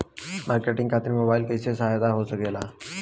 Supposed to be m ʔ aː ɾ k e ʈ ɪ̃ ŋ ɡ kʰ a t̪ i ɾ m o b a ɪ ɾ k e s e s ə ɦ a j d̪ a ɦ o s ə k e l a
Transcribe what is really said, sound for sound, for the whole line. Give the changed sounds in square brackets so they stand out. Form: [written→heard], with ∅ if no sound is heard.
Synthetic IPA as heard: m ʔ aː ɾ k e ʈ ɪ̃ ŋ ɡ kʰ a t̪ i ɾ m o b a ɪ [ɾ→l] k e s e s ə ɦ a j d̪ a ɦ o s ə k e l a